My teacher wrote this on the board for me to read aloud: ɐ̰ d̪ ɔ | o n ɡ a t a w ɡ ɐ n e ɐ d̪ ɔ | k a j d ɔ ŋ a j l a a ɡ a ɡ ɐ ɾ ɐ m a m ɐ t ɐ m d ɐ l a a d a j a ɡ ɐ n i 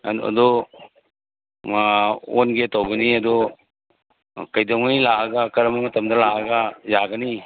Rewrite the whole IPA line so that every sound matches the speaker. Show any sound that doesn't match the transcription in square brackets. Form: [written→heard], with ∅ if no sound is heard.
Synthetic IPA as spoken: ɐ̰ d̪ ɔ | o n ɡ [a→e] t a w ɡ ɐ n [e→i] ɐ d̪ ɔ | k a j d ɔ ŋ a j l a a ɡ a [ɡ→k] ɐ ɾ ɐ m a m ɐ t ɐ m d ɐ l a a [d→ɡ] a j a ɡ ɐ n i